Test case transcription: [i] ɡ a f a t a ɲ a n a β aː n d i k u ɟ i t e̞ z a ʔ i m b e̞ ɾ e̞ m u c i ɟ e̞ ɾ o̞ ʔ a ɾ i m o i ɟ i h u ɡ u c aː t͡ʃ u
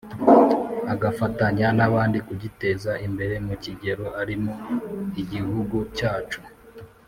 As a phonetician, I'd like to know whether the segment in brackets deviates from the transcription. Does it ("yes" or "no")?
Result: yes